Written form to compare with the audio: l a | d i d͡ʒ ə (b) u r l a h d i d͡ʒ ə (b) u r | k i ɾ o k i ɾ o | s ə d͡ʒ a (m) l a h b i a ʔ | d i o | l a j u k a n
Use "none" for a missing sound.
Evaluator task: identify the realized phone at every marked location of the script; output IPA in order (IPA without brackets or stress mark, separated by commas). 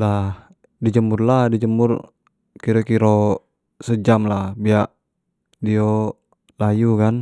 m, m, m